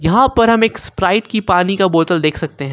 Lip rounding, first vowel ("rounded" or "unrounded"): unrounded